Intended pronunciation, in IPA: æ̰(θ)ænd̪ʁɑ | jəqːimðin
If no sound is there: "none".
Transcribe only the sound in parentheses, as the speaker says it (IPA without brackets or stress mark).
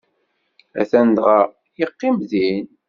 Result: θ